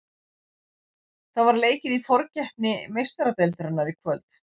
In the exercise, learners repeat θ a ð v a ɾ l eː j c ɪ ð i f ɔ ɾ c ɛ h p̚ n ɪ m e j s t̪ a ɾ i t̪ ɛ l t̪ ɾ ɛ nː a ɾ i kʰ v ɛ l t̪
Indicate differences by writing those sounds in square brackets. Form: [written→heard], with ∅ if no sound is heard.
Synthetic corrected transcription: θ a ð v a ɾ l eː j c ɪ ð i f ɔ ɾ c ɛ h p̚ n ɪ m e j s t̪ a ɾ [i→a] t̪ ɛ l t̪ ɾ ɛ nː a ɾ i kʰ v [ɛ→œ] l t̪